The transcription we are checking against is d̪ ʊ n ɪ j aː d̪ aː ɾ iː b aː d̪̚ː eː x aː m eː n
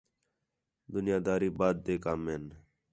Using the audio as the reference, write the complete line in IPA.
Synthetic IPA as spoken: d̪ ʊ n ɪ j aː d̪ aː ɾ iː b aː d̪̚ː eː k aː m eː n